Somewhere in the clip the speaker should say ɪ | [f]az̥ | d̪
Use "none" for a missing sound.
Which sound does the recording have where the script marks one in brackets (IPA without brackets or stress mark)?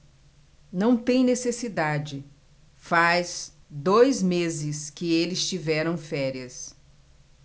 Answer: f